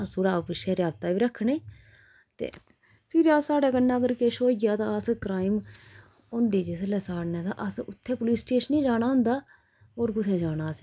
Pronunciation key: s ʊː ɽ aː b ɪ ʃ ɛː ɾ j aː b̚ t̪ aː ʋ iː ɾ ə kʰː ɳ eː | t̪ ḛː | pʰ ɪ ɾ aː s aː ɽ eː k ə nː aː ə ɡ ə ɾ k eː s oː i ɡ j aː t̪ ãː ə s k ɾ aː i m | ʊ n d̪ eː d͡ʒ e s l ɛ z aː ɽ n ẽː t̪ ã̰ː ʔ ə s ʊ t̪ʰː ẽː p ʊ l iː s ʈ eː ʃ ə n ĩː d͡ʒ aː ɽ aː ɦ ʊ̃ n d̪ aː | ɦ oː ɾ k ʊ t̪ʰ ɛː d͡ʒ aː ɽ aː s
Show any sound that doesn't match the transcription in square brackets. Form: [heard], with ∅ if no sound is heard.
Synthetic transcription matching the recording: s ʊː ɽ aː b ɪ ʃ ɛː ɾ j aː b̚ t̪ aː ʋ iː ɾ ə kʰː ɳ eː | t̪ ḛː | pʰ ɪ ɾ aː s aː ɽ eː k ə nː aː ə ɡ ə ɾ k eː [ʃ] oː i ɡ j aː t̪ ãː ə s k ɾ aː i m | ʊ n d̪ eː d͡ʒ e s l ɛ [s] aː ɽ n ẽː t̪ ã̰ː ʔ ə s ʊ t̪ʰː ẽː p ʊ l iː s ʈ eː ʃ ə n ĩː d͡ʒ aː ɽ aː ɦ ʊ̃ n d̪ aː | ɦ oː ɾ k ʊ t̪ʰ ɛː d͡ʒ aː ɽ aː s